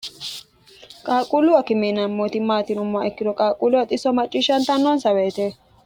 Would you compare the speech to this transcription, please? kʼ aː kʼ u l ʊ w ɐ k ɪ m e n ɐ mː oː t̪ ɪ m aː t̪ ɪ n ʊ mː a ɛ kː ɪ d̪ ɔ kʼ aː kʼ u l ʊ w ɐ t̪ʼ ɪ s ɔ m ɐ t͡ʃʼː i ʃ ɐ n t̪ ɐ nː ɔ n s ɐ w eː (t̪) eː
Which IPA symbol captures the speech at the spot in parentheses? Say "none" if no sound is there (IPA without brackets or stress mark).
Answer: t̪